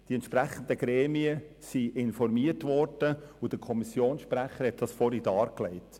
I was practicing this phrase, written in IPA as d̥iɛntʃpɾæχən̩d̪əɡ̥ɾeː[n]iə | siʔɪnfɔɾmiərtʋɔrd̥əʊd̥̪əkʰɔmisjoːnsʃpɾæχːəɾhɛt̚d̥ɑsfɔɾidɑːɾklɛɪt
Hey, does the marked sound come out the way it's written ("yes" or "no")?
no